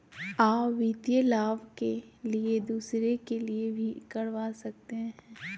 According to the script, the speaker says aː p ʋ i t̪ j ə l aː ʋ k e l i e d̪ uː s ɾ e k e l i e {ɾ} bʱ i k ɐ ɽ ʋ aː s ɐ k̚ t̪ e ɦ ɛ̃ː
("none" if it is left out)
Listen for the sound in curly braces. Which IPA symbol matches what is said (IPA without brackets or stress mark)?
none